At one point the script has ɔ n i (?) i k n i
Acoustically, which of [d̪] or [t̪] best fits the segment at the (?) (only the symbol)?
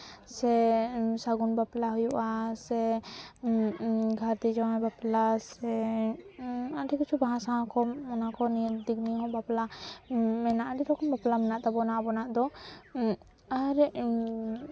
d̪